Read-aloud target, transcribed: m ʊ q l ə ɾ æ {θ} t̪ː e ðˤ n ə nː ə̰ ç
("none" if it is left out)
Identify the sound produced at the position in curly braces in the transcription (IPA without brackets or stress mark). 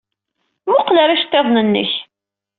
ʃ